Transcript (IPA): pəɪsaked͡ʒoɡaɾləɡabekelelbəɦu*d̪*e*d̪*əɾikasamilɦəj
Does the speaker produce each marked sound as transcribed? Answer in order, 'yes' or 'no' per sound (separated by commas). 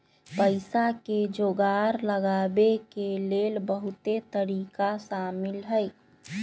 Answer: no, no